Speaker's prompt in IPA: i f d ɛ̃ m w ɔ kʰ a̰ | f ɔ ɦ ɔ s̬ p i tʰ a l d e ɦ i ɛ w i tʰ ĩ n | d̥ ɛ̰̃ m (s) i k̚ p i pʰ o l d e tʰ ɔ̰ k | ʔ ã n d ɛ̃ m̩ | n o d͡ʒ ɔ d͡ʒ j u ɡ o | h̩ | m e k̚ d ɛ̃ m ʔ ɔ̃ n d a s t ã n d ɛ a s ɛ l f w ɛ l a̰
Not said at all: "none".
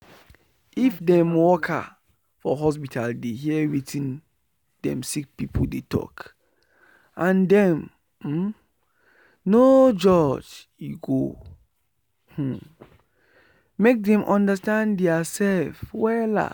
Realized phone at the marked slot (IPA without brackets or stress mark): s